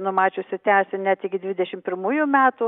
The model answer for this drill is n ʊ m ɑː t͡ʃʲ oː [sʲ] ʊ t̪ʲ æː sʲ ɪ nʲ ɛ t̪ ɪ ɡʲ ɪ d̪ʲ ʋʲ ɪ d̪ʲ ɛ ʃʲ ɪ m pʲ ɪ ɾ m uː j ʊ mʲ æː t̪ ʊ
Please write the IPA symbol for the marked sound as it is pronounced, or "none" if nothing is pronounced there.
sʲ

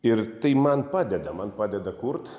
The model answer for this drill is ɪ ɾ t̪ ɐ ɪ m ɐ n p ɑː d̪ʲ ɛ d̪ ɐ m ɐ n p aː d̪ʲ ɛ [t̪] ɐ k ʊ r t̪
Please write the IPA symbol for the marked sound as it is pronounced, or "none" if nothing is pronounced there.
d̪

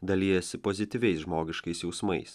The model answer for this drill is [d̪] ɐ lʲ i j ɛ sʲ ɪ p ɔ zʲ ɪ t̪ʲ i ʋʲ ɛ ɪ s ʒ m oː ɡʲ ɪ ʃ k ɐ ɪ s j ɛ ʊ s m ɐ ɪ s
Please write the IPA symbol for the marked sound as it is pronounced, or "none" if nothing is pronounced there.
d̪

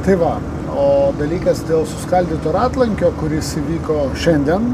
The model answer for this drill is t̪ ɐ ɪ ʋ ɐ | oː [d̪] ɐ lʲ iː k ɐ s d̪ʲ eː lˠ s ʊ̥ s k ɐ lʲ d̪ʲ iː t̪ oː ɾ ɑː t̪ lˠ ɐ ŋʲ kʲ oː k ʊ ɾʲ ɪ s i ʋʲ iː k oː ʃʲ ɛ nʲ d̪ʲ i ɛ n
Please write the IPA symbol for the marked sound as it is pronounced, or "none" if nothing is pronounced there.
d̪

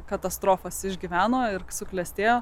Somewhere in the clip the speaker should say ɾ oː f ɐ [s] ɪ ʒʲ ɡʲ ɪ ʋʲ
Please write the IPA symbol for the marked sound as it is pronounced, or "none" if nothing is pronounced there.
s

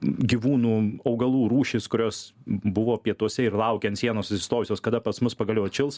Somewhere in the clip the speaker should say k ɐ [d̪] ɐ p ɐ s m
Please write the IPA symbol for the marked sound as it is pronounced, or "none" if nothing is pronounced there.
d̪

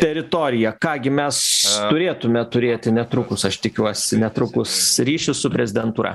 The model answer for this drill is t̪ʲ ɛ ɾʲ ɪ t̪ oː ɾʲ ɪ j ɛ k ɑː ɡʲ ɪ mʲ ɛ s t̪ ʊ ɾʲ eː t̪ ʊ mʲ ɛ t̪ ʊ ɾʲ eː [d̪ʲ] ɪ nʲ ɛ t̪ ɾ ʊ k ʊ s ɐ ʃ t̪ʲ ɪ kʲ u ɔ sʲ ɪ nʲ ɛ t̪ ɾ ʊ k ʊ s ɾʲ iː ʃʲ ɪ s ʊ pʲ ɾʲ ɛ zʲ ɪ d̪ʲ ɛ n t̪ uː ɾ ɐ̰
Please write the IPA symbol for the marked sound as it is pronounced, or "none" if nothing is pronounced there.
t̪ʲ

